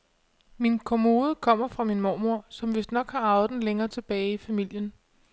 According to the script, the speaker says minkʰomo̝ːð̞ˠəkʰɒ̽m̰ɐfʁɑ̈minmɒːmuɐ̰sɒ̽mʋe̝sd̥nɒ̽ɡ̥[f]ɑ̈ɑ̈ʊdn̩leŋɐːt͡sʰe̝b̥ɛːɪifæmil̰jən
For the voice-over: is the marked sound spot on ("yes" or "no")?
no